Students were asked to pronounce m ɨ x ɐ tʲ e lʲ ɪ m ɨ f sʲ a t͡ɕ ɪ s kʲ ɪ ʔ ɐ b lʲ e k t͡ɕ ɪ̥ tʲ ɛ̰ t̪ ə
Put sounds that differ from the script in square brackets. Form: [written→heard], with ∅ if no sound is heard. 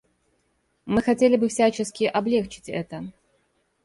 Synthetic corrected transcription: m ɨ x ɐ tʲ e lʲ ɪ [m→b] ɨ f sʲ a t͡ɕ ɪ s kʲ ɪ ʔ ɐ b lʲ e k t͡ɕ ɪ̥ tʲ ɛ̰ t̪ ə